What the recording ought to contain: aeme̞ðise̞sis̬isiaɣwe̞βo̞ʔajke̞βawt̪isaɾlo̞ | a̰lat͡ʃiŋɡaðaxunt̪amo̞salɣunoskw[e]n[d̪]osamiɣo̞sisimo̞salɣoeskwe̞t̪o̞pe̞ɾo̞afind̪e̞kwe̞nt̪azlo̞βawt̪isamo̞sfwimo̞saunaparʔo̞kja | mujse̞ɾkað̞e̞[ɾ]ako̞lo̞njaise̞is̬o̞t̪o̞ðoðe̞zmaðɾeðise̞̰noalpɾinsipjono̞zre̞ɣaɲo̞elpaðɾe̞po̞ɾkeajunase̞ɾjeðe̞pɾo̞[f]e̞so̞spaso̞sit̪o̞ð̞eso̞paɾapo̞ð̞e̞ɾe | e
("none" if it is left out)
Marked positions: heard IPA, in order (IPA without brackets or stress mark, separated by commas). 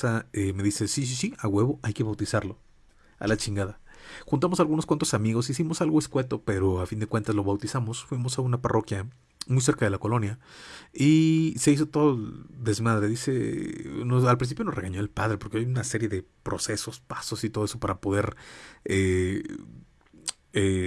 a, t̪, l, s